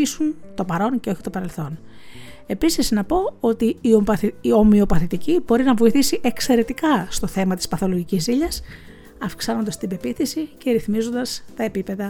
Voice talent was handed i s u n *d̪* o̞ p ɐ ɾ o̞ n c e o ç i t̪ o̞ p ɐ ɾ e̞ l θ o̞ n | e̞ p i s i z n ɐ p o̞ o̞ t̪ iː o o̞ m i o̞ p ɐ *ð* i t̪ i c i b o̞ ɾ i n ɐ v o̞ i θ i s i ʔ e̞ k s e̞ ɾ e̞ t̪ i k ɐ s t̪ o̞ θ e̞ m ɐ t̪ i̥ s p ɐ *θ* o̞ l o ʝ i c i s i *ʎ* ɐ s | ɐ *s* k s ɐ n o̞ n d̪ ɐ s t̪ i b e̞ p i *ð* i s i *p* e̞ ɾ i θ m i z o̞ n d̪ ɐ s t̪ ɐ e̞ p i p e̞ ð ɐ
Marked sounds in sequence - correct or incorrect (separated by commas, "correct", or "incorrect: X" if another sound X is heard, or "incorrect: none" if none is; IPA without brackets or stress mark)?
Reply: incorrect: t̪, incorrect: θ, correct, correct, incorrect: f, incorrect: θ, incorrect: c